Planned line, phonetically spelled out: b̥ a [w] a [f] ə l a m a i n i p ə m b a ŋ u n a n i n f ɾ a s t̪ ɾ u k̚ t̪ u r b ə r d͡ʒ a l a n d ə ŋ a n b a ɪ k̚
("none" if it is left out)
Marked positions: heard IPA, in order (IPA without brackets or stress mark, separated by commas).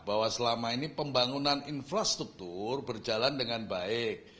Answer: w, s